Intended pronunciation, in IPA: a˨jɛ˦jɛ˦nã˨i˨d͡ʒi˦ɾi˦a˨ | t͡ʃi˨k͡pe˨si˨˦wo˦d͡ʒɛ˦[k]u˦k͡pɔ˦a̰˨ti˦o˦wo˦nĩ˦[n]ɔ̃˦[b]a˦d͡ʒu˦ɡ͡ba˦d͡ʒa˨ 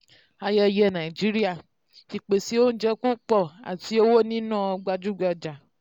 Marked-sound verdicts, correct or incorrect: correct, correct, incorrect

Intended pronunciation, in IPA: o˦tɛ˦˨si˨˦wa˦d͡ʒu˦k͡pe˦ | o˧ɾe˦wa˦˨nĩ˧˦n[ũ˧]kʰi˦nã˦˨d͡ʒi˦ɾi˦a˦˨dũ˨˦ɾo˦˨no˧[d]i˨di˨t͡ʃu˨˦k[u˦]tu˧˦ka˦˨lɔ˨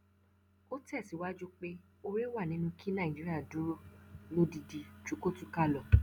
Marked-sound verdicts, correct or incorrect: correct, correct, incorrect

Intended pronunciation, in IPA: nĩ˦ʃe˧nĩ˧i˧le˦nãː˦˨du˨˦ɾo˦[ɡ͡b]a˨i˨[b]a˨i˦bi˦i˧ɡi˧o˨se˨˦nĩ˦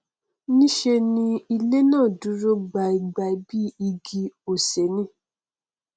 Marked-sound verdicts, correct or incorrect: correct, incorrect

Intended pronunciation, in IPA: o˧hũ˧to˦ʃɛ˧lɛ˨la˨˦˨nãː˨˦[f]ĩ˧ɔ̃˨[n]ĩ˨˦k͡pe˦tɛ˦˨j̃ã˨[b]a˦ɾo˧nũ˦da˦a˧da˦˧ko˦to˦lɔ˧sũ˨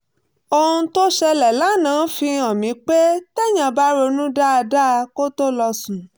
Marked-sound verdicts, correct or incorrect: correct, incorrect, correct

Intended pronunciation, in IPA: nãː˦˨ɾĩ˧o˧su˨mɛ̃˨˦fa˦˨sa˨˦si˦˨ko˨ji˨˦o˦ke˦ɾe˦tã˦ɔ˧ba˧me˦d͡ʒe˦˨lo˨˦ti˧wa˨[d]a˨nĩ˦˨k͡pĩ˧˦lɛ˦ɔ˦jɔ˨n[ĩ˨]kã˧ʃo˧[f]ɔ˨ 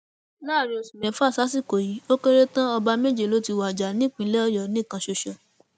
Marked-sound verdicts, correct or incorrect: incorrect, incorrect, incorrect

